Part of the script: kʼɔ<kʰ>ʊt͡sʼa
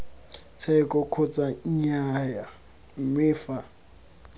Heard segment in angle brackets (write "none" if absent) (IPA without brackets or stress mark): kʰ